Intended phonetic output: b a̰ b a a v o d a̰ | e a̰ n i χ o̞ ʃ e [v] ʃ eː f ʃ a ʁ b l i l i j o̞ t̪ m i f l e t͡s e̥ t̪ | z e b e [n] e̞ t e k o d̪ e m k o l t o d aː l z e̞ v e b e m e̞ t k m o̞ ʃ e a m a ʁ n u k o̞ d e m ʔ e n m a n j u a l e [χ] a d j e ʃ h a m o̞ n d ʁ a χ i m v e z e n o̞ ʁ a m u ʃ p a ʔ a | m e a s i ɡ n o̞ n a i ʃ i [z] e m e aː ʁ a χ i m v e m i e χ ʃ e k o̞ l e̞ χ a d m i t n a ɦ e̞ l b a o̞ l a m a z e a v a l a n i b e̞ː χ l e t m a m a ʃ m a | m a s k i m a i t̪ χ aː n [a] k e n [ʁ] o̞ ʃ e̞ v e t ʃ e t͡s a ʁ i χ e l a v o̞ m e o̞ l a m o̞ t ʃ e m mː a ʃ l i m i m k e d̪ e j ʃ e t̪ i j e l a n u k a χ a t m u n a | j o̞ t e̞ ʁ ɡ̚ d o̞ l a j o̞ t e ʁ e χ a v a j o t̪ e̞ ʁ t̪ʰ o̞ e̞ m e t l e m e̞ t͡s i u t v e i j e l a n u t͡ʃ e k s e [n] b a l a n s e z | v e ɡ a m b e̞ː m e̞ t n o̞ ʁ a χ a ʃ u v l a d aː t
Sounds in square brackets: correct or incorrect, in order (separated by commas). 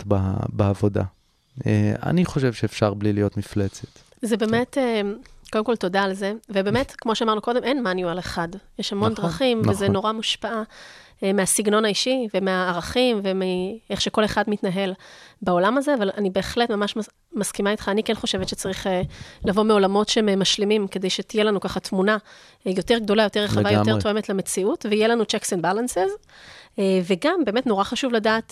correct, incorrect, correct, incorrect, incorrect, incorrect, correct